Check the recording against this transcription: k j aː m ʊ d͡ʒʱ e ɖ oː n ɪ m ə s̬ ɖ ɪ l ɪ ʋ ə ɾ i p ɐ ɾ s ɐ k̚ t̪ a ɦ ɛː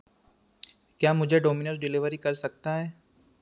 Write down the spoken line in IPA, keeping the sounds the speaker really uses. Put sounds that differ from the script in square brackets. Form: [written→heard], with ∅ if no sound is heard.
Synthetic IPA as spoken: k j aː m ʊ d͡ʒʱ e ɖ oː [n→m] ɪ [m→n] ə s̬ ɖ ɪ l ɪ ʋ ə ɾ i [p→k] ɐ ɾ s ɐ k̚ t̪ a ɦ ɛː